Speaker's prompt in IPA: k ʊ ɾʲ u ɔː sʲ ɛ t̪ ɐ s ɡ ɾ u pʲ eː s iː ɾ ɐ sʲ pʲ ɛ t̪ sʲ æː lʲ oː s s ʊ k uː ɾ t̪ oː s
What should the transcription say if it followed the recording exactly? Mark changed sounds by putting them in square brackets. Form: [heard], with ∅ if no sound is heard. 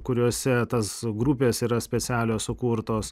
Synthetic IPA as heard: k ʊ ɾʲ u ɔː sʲ ɛ t̪ ɐ s ɡ ɾ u pʲ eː s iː ɾ ɐ sʲ pʲ ɛ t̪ sʲ æː lʲ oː s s ʊ k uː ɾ t̪ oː s